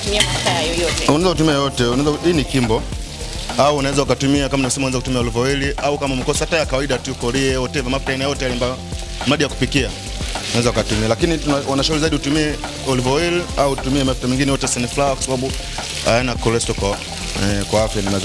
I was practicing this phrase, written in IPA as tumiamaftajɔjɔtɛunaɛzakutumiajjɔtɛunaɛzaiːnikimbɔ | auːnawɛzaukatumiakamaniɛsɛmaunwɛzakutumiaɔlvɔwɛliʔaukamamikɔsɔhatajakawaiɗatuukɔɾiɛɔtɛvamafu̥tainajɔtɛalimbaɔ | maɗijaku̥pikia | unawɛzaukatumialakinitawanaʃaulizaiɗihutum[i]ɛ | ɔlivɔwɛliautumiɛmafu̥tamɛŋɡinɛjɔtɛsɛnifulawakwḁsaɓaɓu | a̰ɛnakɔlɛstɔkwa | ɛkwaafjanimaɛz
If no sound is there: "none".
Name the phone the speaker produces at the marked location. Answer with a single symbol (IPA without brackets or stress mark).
i